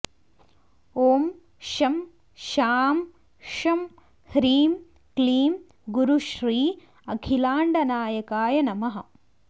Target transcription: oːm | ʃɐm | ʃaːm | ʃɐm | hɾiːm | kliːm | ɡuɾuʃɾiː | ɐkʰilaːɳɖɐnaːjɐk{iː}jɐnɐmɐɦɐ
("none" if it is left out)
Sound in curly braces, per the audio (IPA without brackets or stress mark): aː